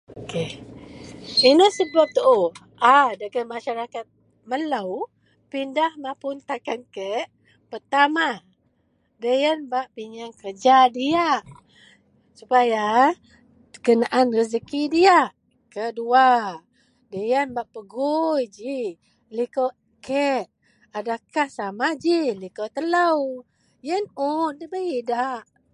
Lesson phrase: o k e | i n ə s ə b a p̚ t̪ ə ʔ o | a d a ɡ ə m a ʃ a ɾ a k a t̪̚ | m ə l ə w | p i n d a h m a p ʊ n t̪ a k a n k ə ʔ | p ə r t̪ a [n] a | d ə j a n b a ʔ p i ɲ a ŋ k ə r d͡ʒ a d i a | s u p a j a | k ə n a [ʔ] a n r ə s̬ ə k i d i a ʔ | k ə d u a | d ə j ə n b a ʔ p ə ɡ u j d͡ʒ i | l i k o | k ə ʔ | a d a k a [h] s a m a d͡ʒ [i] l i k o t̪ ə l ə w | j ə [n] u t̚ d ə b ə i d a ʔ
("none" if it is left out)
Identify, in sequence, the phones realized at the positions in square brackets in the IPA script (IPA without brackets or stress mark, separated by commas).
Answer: m, ʔ, h, i, n